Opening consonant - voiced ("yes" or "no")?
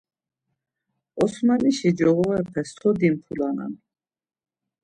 no